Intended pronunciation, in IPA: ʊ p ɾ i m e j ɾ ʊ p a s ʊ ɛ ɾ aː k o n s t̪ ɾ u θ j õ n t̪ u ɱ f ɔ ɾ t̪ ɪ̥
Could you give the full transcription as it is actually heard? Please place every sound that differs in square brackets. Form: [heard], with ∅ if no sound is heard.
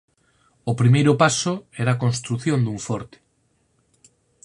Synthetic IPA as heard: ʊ p ɾ i m e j ɾ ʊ p a s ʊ ɛ ɾ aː k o n s t̪ ɾ u θ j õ n [d̪] u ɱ f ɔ ɾ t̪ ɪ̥